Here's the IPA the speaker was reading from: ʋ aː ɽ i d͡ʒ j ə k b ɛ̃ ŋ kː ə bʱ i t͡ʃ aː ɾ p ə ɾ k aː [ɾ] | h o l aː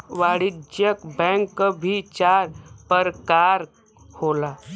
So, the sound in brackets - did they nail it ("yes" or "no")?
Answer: yes